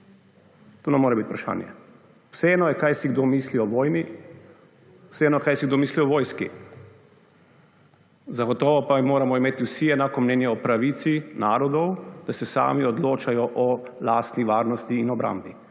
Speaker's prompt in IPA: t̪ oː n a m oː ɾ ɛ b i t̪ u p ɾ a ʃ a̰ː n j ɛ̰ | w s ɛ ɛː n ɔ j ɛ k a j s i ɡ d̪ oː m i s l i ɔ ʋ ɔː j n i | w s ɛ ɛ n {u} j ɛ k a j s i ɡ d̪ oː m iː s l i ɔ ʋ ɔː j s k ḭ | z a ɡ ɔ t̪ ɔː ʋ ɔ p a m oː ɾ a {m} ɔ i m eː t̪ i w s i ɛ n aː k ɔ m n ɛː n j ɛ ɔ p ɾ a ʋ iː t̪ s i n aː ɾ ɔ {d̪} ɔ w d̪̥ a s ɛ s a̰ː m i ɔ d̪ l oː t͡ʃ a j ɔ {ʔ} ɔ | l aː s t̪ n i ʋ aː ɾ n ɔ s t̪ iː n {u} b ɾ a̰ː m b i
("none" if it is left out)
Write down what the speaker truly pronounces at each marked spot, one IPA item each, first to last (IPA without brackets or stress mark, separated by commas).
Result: ɔ, m, d̪, ʔ, ɔ